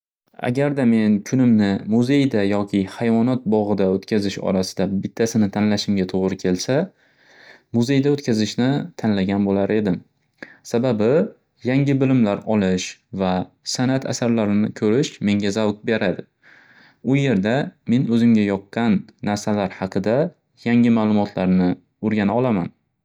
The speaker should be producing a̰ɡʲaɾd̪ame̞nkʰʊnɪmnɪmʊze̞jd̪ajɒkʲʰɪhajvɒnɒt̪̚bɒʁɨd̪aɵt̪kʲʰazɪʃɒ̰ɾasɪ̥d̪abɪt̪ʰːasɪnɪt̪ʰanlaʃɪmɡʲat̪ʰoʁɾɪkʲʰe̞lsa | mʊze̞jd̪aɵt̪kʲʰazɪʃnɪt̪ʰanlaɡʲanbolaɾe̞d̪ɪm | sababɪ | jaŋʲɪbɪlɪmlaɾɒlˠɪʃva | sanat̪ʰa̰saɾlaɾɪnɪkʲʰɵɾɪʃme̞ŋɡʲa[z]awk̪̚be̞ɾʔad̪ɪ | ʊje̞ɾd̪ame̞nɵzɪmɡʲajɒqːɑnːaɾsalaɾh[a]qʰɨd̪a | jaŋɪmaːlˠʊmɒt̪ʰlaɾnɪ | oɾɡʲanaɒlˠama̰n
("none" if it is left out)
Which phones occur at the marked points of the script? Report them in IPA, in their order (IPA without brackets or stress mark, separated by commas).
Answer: z, ɑ